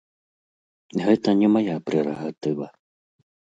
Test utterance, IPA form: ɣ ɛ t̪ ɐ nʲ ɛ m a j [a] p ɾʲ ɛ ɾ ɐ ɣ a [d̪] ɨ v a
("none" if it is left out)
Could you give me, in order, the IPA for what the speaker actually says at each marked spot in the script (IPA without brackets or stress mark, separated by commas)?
a, t̪